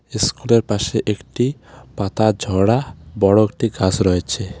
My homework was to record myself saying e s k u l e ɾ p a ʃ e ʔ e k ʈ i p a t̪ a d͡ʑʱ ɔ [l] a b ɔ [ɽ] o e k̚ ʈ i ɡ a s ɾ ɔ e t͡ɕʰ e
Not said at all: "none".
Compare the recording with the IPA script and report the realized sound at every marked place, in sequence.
ɽ, ɽ

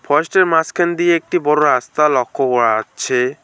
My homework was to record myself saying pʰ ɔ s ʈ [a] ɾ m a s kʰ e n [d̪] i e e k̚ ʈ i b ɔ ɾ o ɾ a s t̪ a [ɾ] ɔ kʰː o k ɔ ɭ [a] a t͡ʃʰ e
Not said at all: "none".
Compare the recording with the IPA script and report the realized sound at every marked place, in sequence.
e, d̪, l, a

